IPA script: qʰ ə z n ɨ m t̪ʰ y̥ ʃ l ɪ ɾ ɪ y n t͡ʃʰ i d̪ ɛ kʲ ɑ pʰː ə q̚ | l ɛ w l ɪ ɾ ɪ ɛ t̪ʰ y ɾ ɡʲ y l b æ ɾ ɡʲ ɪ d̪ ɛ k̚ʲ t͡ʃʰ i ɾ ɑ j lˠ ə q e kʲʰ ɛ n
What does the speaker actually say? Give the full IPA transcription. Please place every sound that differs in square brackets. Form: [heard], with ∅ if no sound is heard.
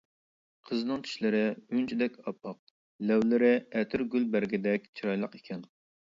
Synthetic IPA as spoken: qʰ ə z n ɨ [ŋ] t̪ʰ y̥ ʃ l ɪ ɾ ɪ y n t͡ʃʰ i d̪ ɛ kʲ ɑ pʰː [ɑ] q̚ | l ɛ w l ɪ ɾ ɪ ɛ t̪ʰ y ɾ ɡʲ y l b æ ɾ ɡʲ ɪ d̪ ɛ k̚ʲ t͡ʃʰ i ɾ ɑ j lˠ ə q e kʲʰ ɛ n